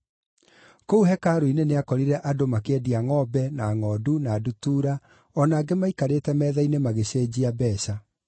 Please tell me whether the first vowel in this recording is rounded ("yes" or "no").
yes